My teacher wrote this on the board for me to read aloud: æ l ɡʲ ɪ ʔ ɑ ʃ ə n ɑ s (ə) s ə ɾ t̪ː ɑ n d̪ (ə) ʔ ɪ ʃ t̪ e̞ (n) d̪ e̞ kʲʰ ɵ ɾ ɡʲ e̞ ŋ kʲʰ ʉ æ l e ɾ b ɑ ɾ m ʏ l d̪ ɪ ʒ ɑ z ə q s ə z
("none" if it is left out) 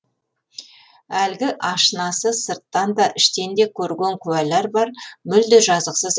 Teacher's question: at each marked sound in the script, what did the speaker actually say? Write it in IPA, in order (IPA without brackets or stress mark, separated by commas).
ə, ɑ, n